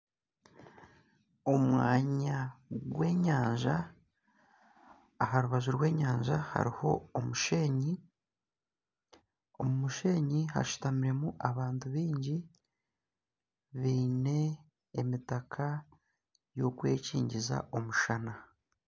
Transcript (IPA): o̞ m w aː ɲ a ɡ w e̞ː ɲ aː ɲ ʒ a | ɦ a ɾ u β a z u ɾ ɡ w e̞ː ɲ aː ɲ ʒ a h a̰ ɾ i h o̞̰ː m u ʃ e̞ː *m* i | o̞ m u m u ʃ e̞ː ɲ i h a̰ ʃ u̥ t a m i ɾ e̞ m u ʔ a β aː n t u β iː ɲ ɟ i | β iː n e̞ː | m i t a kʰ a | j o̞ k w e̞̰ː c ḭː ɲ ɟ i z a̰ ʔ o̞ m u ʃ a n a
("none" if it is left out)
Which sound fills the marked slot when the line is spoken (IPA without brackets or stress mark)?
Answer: ɲ